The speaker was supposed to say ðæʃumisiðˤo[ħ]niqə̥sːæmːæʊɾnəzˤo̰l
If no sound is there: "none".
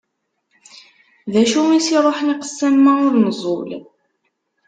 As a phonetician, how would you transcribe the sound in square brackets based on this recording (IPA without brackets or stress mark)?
ħ